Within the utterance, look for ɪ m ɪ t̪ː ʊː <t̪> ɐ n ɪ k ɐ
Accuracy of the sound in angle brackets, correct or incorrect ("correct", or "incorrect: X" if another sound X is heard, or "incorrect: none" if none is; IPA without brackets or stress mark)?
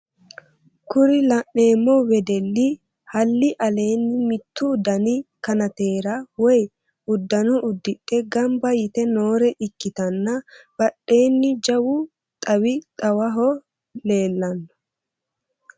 incorrect: d̪